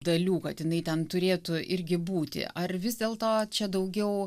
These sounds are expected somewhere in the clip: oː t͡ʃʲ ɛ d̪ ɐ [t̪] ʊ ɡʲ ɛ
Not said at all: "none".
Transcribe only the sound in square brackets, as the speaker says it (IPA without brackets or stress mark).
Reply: none